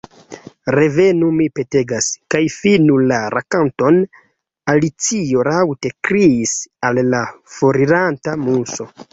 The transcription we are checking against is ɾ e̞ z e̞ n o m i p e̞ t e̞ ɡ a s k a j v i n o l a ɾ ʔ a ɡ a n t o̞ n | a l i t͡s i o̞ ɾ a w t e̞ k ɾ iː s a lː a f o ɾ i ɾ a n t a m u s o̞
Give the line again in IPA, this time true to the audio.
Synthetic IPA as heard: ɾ e̞ v e̞ n u m i p e̞ t e̞ ɡ a s k a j f i n u l a ɾ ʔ a k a n t o̞ n | a l i t͡s i o̞ ɾ a w t e̞ k ɾ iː s a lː a f o ɾ i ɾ a n t a m u s o̞